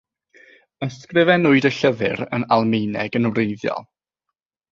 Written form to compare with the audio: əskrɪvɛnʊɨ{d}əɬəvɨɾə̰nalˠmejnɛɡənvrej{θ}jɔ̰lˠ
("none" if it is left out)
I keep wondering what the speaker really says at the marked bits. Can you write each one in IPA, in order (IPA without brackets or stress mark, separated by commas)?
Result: d, ð